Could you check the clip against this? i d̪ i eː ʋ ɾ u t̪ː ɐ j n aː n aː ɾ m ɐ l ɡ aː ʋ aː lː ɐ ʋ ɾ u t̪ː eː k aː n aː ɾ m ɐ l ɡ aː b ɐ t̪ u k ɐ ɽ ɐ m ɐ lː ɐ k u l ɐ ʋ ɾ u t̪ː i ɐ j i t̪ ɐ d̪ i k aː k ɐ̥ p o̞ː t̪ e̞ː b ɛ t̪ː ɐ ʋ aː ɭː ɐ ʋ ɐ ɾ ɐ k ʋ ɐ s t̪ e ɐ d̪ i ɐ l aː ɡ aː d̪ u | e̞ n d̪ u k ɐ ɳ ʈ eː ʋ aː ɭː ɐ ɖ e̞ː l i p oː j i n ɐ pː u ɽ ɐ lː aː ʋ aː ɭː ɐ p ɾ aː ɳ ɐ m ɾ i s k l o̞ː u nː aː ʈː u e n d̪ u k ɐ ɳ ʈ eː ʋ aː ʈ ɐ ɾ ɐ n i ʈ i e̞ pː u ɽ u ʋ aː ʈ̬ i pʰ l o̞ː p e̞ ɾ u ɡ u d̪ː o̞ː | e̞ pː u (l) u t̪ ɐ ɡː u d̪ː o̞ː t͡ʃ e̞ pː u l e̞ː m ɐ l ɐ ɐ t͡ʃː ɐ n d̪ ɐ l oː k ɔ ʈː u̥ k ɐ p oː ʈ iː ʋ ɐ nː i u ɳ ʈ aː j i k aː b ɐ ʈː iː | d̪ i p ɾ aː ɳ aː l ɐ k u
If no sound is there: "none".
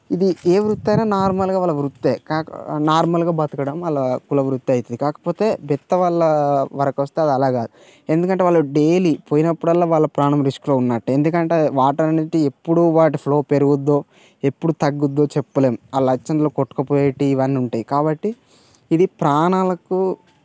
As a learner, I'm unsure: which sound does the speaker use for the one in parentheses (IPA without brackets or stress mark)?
ɽ